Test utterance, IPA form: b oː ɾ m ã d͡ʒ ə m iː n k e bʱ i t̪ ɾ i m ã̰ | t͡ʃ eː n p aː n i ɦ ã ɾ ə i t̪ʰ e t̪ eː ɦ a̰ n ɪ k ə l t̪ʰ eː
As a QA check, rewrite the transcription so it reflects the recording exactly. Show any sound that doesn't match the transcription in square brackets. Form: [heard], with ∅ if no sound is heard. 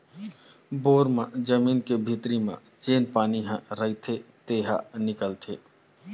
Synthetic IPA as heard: b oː ɾ m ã d͡ʒ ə m iː n k e bʱ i t̪ ɾ i m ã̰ | t͡ʃ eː n p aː n i ɦ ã ɾ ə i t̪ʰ e t̪ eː ɦ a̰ n ɪ k ə l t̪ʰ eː